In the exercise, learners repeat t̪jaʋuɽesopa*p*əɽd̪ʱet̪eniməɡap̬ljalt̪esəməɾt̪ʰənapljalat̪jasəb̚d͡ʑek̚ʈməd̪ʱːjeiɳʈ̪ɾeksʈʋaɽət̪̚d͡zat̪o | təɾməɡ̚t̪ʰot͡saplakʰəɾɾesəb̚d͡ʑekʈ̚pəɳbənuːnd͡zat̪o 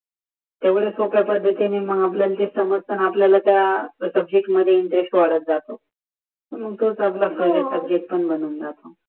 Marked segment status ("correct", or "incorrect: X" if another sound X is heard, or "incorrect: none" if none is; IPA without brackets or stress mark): correct